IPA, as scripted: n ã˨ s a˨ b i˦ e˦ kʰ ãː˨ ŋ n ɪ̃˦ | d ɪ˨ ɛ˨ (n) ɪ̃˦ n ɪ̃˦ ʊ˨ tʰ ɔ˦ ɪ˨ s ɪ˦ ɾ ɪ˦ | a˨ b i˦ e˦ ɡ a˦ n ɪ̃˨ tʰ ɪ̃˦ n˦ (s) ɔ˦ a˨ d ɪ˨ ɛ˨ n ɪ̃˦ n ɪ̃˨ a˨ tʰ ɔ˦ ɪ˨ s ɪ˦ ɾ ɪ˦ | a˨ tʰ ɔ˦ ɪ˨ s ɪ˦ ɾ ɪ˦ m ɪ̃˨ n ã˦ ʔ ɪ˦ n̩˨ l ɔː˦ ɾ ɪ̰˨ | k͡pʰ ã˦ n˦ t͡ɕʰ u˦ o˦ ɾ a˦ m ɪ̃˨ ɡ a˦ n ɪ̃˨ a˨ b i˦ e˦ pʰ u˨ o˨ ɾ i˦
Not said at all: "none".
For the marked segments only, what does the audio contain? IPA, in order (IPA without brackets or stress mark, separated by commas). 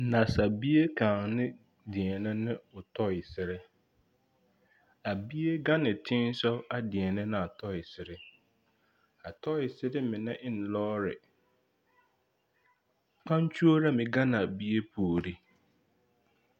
n, s